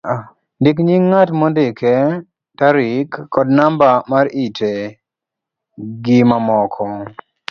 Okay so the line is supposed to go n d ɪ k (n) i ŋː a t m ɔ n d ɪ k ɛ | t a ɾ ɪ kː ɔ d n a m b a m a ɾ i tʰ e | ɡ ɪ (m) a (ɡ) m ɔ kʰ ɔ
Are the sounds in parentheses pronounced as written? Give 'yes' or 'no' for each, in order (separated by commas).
no, yes, no